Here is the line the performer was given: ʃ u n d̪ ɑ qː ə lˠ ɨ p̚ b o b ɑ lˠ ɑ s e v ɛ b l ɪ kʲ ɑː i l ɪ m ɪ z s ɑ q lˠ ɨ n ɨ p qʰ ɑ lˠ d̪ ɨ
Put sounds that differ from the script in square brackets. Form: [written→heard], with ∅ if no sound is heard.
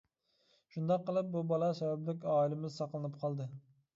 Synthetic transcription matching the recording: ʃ u n d̪ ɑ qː ə lˠ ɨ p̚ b [o→u] b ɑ lˠ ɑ s [e→ɛ] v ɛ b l ɪ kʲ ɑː i l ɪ m ɪ z s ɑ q lˠ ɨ n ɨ p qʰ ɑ lˠ d̪ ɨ